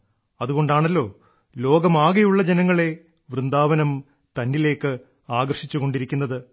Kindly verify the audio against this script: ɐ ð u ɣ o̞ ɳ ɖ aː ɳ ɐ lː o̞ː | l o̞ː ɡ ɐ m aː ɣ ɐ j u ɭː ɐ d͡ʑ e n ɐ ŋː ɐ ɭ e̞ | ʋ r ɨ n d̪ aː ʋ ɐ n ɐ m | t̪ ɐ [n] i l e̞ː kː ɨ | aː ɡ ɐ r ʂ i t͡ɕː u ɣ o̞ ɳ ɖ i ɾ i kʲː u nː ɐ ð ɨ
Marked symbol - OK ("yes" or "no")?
no